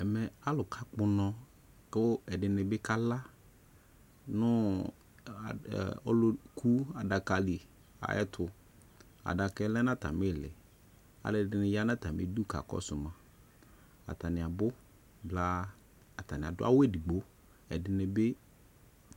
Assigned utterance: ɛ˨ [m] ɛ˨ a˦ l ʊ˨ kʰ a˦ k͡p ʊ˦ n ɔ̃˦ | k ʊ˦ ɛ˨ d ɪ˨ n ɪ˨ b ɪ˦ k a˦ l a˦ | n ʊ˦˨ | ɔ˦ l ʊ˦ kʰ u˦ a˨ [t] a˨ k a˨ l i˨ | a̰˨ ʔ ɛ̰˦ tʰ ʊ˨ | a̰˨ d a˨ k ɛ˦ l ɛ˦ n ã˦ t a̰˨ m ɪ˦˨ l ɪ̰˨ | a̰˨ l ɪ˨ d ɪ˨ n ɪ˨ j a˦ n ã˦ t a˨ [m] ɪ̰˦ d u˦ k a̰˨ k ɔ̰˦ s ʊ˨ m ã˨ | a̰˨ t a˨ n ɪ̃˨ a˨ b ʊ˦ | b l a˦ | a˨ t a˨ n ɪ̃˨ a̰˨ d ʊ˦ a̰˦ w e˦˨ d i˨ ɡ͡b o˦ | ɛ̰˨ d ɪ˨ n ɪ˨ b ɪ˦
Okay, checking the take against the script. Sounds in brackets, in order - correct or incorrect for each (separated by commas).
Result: correct, incorrect, correct